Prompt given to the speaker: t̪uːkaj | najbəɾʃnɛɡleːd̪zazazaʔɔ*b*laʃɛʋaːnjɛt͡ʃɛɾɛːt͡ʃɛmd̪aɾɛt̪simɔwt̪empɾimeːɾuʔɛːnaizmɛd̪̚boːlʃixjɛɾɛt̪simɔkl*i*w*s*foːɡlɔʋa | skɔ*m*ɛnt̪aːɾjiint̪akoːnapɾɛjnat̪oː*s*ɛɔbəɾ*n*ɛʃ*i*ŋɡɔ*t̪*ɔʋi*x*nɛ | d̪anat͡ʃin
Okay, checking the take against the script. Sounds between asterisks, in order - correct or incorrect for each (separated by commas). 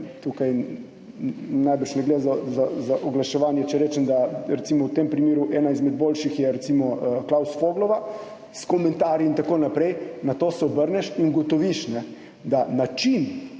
incorrect, incorrect, correct, correct, correct, correct, correct, correct, incorrect